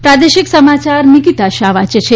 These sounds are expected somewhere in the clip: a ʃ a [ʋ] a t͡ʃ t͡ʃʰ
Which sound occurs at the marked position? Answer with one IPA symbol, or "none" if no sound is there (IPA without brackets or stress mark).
ʋ